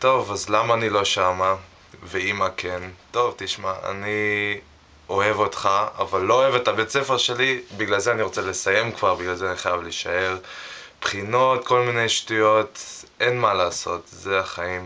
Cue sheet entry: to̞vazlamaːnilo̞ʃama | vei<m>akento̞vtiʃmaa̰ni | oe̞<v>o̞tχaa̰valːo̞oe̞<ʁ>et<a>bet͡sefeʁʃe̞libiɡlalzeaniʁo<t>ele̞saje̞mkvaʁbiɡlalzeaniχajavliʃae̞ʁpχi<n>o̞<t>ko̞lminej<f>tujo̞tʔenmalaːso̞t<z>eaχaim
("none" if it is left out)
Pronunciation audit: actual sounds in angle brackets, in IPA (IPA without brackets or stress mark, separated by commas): m, v, v, a, t͡s, n, t, ʃ, z